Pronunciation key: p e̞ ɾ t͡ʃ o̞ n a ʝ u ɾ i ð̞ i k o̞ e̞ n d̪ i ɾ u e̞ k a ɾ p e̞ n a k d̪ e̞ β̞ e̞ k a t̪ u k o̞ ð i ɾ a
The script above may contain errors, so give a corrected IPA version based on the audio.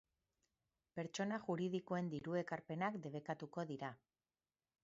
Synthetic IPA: p e̞ ɾ t͡ʃ o̞ n a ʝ u ɾ i ð̞ i k o̞ e̞ n d̪ i ɾ u e̞ k a ɾ p e̞ n a k d̪ e̞ β̞ e̞ k a t̪ u k o̞ ð i ɾ a